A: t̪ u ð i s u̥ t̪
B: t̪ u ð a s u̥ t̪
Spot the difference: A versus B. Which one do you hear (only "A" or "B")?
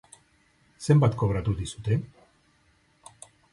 A